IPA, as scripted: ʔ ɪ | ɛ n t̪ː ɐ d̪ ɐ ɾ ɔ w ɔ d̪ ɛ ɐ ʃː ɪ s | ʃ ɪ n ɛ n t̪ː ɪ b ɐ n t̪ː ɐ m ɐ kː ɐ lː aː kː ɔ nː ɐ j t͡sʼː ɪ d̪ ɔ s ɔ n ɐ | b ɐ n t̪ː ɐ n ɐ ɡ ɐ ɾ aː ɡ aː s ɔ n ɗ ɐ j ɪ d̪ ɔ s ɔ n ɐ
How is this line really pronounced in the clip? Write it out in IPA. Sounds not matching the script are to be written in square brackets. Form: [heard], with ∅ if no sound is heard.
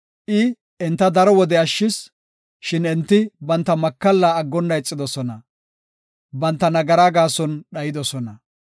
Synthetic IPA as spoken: ʔ ɪ | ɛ n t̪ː ɐ d̪ ɐ ɾ ɔ w ɔ d̪ ɛ ɐ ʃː ɪ s | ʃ ɪ n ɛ n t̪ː ɪ b ɐ n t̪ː ɐ m ɐ kː ɐ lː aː [ɡː] ɔ nː ɐ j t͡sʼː ɪ d̪ ɔ s ɔ n ɐ | b ɐ n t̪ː ɐ n ɐ ɡ ɐ ɾ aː ɡ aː s ɔ n ɗ ɐ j ɪ d̪ ɔ s ɔ n ɐ